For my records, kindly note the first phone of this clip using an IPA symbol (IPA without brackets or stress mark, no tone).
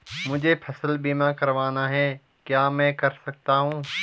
m